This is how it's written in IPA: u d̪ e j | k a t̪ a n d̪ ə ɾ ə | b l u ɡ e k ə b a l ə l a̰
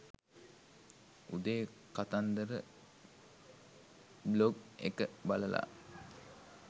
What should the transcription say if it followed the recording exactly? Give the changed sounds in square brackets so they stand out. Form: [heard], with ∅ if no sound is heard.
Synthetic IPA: u d̪ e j | k a t̪ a n d̪ ə ɾ ə | b l [o] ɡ e k ə b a l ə l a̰